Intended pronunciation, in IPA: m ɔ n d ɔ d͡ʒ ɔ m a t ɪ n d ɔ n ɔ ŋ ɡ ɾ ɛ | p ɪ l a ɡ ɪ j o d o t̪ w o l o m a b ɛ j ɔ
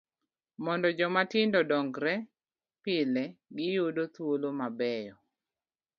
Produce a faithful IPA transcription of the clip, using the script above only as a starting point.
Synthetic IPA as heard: m ɔ n d ɔ d͡ʒ ɔ m a t ɪ n d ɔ d ɔ ŋ ɡ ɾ ɛ | p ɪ l ɛ ɡ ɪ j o d o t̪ w o l o m a b ɛ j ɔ